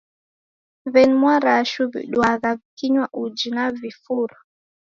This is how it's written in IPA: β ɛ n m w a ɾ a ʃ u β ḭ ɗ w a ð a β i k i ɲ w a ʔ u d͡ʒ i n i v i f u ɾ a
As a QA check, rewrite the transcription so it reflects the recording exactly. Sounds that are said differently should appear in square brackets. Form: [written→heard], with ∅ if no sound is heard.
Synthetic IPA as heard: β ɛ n m w a ɾ a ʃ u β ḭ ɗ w a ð a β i k i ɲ w a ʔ u d͡ʒ i n [i→a] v i f u ɾ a